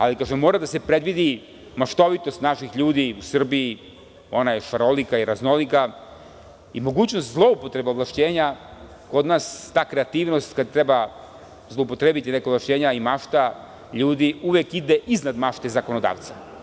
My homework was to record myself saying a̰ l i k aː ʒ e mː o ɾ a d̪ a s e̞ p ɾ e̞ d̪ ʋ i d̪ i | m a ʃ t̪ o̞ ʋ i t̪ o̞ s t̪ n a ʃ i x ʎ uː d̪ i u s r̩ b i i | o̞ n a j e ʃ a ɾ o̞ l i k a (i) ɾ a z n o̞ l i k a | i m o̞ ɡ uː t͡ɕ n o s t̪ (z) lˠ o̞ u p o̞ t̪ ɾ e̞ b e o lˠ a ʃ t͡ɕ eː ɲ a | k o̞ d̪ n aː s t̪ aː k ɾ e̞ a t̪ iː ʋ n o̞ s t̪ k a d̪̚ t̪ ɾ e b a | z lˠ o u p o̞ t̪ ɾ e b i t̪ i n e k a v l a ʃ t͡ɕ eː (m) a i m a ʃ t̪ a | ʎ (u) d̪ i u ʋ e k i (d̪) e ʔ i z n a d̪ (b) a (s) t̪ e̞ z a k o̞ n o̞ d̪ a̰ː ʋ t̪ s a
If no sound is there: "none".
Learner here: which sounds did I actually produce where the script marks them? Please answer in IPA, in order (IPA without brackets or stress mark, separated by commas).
i, z, ɲ, uː, d̪, m, ʃ